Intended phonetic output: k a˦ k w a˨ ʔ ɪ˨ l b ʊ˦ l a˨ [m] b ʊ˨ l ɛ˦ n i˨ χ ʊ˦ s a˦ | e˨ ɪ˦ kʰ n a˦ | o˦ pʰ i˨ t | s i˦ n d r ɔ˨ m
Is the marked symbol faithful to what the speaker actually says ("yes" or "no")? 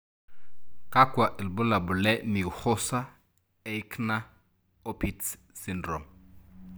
no